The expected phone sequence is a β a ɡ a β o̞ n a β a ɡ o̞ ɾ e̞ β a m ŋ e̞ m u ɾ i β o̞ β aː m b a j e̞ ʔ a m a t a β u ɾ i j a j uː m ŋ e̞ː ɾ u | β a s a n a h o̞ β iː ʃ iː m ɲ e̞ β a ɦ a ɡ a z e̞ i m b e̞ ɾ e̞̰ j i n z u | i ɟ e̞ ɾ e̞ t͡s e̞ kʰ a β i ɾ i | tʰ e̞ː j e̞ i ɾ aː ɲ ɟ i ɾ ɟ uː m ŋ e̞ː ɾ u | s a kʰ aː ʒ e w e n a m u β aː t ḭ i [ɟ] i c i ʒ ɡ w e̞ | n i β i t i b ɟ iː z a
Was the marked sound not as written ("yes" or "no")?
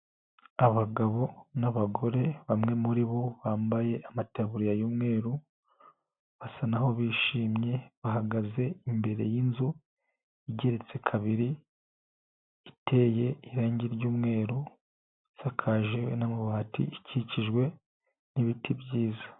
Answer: yes